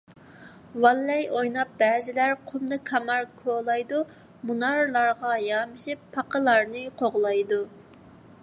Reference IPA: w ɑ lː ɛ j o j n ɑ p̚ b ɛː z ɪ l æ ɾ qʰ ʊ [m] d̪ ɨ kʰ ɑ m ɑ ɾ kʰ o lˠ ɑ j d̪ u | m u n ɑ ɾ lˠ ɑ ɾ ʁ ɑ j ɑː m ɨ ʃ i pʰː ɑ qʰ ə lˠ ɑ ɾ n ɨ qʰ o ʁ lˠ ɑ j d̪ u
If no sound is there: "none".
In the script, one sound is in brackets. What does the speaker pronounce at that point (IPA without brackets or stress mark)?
m